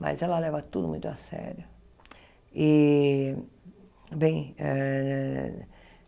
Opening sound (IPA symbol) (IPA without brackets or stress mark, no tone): m